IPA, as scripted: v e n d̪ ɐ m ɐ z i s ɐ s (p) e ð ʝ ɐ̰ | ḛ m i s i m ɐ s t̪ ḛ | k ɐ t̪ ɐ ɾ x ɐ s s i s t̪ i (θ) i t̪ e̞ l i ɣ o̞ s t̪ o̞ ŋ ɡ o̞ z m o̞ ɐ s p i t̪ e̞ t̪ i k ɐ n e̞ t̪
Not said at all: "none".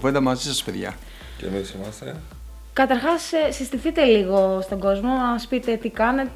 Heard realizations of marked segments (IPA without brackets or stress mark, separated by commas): p, θ